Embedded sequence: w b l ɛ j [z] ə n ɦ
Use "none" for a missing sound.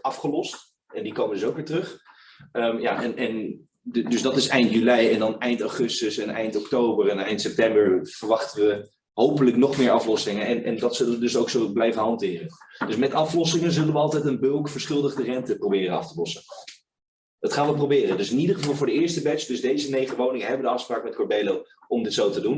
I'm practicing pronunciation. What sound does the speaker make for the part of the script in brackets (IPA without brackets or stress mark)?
v